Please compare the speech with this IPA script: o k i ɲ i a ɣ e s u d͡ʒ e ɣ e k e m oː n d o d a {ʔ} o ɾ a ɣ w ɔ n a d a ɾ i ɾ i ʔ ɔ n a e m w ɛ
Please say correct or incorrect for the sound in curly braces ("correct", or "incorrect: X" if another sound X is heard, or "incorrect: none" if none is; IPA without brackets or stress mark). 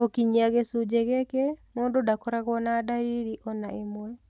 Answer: incorrect: k